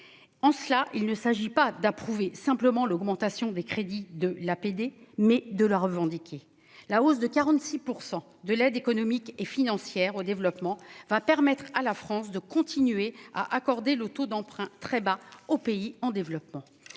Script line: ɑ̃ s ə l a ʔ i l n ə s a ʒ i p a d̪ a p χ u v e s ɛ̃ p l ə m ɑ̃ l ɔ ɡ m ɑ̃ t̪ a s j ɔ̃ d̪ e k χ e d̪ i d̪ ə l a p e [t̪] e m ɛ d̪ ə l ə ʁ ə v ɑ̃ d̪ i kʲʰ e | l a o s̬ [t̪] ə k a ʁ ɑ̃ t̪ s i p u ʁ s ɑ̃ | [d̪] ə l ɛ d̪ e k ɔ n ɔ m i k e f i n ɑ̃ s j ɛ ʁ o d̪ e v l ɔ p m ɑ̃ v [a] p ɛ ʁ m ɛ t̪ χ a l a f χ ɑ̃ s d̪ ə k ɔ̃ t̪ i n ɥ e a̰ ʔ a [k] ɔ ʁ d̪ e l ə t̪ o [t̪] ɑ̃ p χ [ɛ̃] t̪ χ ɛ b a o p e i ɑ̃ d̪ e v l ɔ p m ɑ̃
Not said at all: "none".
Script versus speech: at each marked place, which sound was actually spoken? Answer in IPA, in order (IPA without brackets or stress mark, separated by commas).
d̪, d̪, d̪, a, k, d̪, ɛ̃